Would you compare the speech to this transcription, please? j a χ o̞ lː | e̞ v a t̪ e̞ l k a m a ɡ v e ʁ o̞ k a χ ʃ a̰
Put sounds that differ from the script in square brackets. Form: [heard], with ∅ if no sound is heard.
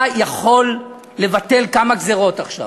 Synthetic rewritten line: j a χ o̞ lː | e̞ v a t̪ e̞ l k a m a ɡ [z] e ʁ o̞ [t] a χ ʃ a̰